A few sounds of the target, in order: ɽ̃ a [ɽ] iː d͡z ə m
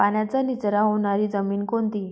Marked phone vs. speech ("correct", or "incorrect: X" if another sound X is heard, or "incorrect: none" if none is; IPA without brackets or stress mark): incorrect: ɾ